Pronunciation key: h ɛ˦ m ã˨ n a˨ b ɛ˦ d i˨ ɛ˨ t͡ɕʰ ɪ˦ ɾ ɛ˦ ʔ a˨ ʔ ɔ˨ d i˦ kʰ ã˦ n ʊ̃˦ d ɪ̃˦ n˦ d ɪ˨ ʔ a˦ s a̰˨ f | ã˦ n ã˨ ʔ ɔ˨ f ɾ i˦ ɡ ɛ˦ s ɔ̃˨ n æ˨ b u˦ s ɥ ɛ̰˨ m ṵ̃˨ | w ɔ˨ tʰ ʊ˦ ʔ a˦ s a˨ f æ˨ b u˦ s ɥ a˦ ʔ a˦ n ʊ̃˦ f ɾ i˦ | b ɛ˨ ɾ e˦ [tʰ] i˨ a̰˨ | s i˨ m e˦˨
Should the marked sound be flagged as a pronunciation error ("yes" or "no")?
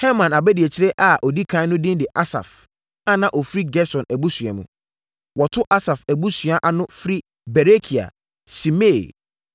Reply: yes